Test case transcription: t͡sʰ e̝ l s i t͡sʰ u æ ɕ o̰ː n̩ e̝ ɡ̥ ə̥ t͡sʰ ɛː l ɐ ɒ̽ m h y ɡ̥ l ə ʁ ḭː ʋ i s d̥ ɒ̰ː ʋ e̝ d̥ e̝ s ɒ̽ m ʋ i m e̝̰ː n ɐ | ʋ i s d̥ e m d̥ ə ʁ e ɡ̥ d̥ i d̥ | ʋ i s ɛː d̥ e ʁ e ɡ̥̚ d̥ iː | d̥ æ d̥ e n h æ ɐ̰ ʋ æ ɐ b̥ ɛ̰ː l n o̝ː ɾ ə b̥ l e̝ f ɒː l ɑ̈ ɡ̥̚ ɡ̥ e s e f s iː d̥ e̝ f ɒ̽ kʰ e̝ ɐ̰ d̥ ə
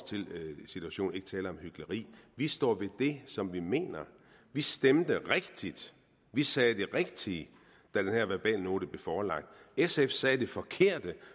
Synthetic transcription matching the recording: t͡sʰ e̝ l s i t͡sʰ u æ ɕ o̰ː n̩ e̝ ɡ̥ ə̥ t͡sʰ ɛː l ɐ ɒ̽ m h y ɡ̥ l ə ʁ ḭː ʋ i s d̥ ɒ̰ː ʋ e̝ d̥ e̝ s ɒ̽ m ʋ i m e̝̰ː n ɐ | ʋ i s d̥ e m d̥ ə ʁ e ɡ̥ d̥ i d̥ | ʋ i s ɛː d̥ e ʁ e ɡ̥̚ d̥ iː | d̥ æ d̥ e n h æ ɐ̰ ʋ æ ɐ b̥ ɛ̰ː l n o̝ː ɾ ə b̥ l e̝ f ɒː l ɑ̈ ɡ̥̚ d̥ e s e f s ɛː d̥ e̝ f ɒ̽ kʰ e̝ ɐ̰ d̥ ə